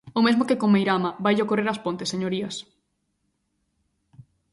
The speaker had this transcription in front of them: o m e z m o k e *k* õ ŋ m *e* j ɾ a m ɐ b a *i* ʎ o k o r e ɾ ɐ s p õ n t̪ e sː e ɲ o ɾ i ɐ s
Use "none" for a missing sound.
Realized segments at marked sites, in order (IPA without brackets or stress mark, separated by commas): k, e, j